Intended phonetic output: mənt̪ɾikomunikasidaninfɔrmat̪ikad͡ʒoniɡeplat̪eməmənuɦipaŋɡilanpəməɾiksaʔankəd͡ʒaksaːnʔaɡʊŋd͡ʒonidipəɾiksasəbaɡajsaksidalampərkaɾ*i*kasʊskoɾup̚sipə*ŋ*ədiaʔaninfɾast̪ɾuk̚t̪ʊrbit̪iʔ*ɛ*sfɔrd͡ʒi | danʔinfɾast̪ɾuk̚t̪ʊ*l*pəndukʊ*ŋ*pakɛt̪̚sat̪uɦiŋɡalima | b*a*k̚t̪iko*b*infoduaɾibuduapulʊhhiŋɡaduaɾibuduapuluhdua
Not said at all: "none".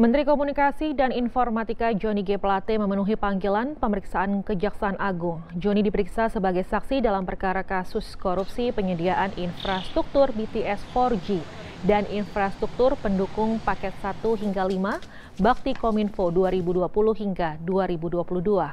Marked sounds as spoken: a, ɲ, ɛ, r, ŋ, a, m

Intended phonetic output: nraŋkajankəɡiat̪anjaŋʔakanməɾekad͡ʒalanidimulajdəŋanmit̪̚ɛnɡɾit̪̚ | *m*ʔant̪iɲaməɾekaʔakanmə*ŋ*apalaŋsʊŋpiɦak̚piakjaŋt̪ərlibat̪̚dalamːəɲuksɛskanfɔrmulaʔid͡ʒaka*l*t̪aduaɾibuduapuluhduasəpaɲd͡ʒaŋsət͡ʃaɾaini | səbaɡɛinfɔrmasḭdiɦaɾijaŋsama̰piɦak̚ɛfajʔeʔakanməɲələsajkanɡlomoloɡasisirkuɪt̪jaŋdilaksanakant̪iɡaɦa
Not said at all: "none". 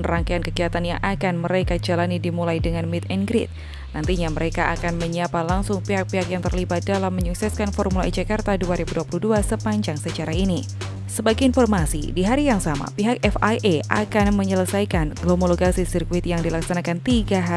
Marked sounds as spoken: n, ɲ, r

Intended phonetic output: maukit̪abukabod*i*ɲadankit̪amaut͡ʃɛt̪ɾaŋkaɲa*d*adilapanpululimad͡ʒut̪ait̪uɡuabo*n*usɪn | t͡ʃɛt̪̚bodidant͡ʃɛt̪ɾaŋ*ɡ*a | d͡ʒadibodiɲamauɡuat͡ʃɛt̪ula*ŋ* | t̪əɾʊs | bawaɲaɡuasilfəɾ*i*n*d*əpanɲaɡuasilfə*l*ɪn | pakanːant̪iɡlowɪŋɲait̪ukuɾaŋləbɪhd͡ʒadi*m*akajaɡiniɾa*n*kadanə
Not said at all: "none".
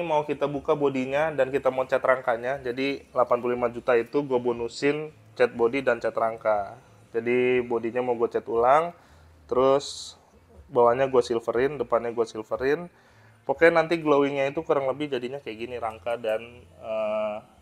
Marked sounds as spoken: i, d͡ʒ, n, k, ŋ, ɪ, d, ɾ, ɲ, ŋ

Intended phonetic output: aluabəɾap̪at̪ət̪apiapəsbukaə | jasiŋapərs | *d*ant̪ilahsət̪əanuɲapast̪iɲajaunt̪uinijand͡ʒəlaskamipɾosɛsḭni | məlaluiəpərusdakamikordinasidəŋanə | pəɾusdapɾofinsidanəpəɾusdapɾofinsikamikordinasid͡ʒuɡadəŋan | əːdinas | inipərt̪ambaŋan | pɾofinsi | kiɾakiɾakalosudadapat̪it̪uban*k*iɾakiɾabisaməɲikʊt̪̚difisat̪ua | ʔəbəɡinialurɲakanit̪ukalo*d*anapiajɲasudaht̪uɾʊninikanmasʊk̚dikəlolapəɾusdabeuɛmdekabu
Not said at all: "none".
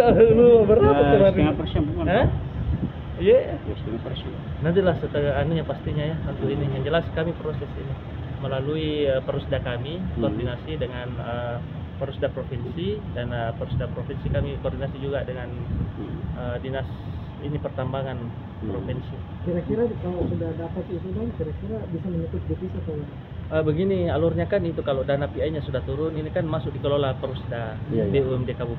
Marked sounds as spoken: n, k, d

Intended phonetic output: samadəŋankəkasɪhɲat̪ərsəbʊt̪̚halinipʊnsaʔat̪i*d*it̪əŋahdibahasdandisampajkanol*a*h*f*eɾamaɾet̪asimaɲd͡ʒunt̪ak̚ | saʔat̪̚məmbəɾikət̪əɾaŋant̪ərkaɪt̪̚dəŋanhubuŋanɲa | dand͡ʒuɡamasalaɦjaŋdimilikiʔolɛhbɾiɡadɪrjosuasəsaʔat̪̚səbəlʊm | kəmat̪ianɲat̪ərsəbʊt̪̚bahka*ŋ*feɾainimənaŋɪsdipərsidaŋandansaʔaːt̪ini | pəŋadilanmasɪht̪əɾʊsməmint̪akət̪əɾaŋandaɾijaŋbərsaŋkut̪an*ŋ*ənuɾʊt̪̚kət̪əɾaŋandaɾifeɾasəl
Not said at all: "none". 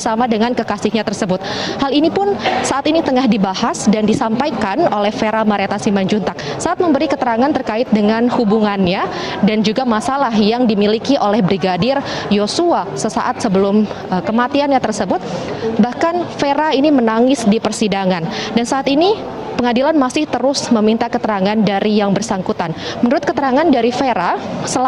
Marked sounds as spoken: n, ɛ, f, n, m

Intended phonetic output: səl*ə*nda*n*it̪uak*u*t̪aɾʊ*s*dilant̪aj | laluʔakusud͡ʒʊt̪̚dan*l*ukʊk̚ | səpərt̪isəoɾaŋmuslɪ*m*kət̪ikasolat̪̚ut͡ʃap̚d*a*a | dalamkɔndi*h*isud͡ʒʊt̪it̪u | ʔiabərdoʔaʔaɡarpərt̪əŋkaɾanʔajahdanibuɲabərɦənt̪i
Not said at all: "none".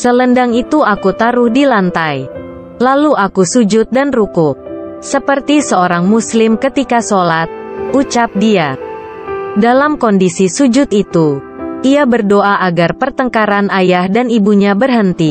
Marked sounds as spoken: ə, ŋ, u, h, r, m, i, s

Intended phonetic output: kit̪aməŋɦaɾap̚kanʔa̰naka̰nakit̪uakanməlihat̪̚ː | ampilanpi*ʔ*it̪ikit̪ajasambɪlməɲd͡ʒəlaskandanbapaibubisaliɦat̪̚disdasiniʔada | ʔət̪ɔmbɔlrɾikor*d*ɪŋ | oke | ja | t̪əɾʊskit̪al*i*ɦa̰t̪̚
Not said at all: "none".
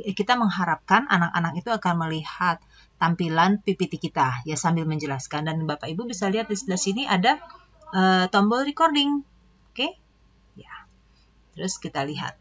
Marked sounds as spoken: p, d, i

